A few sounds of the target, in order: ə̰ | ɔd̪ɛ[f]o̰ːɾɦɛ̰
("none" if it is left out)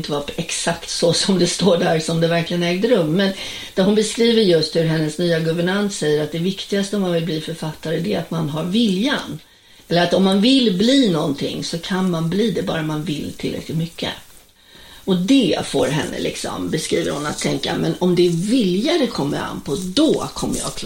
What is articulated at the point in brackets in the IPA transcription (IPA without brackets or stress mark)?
f